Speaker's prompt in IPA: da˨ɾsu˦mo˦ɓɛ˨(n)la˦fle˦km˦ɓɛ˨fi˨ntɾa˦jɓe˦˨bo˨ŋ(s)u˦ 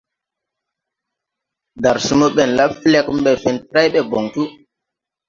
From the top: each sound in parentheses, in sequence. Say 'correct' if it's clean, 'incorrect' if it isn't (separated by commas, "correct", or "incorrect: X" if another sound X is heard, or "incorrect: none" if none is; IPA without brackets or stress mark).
correct, incorrect: t